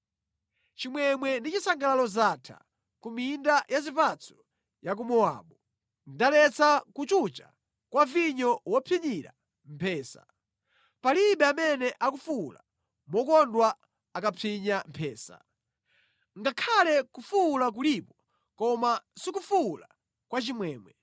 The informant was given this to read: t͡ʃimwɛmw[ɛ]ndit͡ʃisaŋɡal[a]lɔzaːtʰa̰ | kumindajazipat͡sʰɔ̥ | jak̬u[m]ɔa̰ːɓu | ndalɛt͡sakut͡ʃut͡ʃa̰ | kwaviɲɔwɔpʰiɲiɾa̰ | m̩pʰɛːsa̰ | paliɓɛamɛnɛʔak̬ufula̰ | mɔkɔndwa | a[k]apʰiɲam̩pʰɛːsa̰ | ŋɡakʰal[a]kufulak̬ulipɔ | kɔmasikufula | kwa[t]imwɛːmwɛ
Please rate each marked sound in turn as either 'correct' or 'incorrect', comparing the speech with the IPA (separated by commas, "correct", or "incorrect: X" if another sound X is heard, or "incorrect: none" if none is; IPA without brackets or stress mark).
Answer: correct, correct, correct, correct, incorrect: ɛ, incorrect: t͡ʃ